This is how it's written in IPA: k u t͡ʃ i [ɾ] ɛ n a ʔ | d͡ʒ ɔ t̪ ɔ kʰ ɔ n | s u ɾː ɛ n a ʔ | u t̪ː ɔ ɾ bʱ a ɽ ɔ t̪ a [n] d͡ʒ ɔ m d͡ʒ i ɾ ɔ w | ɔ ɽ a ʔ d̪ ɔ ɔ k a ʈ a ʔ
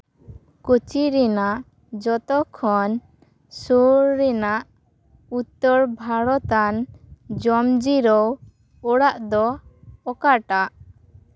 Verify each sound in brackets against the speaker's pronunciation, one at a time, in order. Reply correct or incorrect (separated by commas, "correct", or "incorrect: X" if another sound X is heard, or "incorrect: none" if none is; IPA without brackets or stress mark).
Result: correct, correct